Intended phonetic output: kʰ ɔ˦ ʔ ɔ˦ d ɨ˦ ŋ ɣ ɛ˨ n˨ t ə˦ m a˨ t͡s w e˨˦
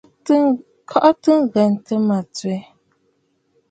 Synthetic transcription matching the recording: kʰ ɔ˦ ʔ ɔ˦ t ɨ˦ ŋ ɣ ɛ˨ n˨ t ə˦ m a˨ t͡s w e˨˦

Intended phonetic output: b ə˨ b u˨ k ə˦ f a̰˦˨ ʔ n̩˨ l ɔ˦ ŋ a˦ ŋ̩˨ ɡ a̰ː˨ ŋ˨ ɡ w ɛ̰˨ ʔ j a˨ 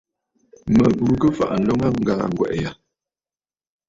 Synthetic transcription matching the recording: m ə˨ b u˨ k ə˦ f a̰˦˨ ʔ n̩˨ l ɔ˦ ŋ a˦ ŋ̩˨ ɡ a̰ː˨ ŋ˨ ɡ w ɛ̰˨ ʔ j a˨

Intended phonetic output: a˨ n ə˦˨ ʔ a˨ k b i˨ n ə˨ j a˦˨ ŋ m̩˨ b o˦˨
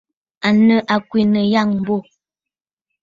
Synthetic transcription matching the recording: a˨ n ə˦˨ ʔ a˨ k w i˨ n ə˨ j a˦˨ ŋ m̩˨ b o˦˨

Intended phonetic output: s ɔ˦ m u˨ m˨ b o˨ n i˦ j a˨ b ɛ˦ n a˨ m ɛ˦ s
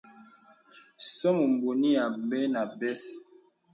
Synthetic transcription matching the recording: s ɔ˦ m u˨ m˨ b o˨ n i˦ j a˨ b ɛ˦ n a˨ b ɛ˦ s

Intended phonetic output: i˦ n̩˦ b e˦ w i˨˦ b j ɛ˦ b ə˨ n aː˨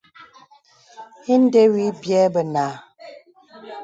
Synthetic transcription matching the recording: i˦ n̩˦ d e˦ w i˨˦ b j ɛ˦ b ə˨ n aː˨

